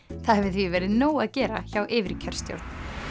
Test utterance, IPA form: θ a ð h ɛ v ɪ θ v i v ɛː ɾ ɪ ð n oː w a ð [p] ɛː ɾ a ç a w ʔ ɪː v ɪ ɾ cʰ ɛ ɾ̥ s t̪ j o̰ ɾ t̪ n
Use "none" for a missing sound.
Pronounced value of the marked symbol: c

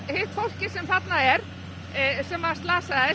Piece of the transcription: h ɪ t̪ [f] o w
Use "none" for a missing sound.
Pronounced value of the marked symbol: f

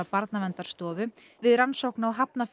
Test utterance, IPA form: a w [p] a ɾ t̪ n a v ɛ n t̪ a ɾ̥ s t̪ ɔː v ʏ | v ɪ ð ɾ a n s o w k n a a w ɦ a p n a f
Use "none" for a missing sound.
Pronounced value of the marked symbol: p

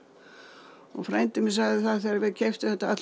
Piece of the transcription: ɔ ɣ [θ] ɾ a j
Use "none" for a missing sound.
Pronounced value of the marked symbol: f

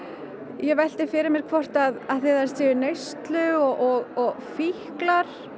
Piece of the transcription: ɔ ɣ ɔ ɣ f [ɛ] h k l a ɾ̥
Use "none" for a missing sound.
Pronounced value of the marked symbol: i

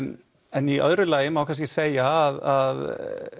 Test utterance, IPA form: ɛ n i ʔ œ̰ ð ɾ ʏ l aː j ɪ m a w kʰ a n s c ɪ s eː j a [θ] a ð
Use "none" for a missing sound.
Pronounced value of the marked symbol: ð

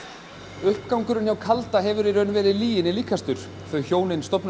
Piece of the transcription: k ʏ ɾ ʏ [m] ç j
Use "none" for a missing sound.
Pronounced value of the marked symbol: n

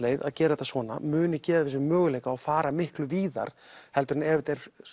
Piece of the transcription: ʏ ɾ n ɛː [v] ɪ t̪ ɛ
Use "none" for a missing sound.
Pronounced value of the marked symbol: v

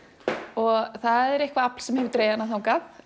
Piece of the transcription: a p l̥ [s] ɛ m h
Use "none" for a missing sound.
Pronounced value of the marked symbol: s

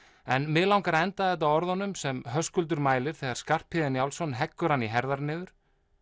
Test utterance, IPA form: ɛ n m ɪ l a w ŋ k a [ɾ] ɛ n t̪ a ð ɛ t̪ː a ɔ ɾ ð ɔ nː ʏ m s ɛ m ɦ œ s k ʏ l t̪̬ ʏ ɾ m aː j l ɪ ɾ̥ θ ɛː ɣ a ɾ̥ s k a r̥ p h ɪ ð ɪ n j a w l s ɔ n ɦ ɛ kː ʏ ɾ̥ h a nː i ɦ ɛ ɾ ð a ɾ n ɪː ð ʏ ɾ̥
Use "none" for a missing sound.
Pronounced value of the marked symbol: ɾ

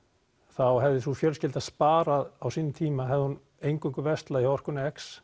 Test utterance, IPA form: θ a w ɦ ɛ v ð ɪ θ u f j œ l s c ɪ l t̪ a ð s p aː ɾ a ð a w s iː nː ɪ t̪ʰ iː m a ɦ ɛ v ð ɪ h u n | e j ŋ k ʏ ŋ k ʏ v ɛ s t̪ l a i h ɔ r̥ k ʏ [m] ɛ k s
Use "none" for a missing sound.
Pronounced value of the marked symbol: n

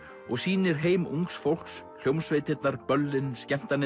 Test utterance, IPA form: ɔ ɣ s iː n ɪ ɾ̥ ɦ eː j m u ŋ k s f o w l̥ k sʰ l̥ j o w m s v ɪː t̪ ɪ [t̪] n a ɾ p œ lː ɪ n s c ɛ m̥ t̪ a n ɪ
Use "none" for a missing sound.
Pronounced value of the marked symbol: t̪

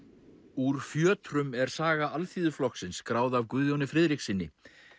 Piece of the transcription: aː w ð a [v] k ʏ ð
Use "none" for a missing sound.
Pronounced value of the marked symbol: v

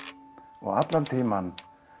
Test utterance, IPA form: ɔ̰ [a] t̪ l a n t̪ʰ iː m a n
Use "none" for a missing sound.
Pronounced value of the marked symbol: a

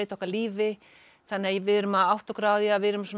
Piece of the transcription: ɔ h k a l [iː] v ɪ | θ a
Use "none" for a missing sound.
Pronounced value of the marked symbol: iː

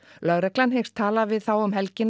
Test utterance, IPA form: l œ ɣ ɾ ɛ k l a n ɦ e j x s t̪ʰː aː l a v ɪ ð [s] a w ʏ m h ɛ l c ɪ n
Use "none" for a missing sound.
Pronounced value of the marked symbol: θ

